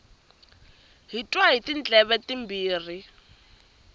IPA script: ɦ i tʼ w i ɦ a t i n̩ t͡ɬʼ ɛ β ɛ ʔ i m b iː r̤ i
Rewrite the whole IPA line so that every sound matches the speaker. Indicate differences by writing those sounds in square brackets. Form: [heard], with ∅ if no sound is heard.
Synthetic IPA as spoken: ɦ i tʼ w [a] ɦ [i] t i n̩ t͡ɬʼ ɛ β ɛ [t] i m b iː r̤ i